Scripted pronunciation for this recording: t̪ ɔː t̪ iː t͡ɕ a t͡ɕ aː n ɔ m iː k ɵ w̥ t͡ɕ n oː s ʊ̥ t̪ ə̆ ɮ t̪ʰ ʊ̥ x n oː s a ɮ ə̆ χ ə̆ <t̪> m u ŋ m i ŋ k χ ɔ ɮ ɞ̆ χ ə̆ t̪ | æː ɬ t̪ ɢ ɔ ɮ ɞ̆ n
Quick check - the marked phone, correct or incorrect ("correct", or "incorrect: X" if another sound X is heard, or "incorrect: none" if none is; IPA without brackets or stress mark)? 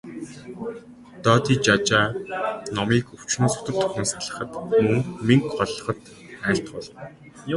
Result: correct